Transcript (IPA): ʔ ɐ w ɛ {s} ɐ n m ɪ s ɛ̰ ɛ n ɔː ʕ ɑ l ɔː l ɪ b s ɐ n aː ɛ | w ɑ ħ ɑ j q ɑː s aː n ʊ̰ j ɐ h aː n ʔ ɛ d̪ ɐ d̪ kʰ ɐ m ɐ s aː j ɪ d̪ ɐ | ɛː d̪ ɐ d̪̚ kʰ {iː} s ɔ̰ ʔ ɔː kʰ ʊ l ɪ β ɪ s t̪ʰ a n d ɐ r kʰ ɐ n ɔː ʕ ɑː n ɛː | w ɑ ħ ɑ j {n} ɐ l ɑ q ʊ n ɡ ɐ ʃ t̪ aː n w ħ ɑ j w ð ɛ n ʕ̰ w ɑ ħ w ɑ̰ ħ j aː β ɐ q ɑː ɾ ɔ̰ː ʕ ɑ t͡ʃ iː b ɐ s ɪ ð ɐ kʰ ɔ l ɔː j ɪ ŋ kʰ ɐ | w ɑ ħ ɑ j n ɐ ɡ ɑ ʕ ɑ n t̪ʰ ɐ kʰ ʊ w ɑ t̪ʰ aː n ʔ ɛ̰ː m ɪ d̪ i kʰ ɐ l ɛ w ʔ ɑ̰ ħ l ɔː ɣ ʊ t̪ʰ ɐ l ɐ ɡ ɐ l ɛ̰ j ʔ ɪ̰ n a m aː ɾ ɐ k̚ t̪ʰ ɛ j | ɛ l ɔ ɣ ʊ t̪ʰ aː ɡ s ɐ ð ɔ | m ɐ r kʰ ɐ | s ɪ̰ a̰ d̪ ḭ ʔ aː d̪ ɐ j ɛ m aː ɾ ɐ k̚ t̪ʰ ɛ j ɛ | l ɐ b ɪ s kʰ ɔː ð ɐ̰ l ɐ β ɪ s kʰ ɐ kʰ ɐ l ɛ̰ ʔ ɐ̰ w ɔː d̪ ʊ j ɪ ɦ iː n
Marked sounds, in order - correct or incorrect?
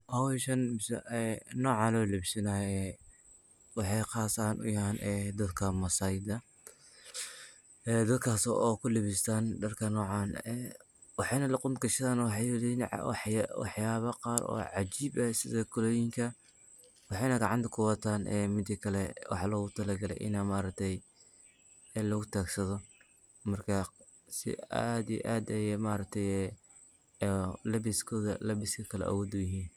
incorrect, incorrect, correct

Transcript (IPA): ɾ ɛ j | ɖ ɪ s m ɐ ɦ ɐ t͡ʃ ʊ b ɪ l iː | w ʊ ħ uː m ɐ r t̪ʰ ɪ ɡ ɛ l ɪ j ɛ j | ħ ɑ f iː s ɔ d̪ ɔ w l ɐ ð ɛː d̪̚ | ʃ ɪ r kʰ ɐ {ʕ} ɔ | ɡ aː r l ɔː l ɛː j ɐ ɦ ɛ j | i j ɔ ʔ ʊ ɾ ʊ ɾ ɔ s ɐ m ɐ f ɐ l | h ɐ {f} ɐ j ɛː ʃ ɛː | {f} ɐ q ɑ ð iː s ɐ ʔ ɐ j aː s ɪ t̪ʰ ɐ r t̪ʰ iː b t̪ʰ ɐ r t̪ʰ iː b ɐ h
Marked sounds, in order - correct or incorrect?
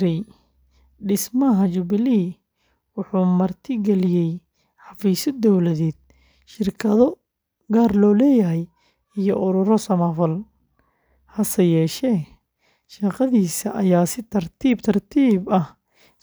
incorrect, incorrect, incorrect

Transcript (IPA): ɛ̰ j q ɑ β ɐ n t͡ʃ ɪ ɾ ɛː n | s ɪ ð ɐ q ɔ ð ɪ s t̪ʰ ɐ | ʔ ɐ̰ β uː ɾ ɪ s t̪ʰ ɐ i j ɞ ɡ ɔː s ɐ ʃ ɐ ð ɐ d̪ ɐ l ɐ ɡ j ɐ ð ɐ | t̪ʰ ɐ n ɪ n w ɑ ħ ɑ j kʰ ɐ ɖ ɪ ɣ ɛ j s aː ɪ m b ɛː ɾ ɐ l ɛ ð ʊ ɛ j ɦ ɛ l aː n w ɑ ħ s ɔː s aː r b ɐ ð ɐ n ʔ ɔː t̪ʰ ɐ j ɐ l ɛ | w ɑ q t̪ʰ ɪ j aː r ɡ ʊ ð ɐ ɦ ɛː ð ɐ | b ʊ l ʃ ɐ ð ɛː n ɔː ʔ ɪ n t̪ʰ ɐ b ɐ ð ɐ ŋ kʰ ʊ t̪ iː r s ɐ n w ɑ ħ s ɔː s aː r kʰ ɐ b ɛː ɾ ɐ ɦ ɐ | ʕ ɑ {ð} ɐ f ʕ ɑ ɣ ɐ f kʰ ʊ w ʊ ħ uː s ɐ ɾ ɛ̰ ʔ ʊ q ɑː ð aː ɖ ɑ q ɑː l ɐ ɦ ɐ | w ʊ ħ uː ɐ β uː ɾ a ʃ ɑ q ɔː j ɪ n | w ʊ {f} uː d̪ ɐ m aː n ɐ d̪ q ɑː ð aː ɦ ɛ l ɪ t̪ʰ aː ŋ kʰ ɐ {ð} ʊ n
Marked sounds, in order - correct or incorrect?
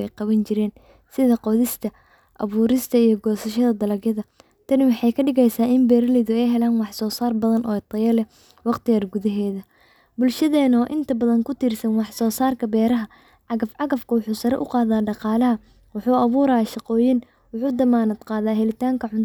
incorrect, incorrect, incorrect

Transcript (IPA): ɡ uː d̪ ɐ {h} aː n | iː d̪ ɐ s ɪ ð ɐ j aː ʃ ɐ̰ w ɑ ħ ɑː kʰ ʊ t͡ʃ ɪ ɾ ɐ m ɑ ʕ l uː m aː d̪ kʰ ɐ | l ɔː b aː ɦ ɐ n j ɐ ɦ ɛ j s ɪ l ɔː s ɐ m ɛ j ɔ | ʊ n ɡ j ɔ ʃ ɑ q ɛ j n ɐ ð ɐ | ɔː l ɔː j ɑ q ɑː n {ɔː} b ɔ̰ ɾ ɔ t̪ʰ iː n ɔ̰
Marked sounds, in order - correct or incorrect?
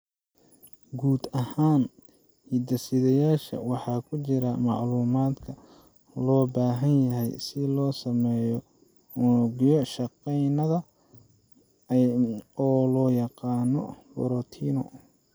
correct, incorrect

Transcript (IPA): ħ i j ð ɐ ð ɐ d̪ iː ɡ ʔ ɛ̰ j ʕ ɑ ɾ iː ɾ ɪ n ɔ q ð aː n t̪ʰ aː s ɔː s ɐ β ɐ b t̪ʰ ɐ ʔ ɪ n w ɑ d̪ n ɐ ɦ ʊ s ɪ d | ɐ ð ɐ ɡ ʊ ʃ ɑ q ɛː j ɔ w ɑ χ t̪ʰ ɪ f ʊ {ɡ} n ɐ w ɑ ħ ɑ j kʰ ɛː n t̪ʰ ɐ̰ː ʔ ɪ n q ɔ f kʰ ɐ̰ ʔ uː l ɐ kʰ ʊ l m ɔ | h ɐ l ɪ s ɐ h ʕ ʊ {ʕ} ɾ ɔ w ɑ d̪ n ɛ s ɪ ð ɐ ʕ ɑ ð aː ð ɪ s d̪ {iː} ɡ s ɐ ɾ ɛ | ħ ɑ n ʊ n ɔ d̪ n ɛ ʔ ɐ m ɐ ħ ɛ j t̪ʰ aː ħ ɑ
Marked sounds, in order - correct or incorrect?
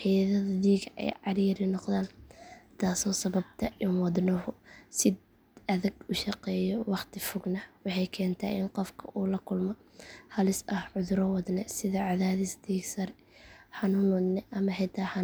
correct, incorrect, correct

